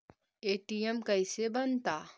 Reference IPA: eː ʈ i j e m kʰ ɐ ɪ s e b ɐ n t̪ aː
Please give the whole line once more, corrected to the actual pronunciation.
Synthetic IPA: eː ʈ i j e m k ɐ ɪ s e b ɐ n t̪ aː